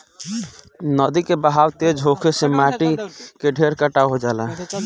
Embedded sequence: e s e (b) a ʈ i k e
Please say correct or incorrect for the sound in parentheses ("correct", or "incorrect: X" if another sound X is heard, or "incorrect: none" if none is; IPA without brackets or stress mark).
incorrect: m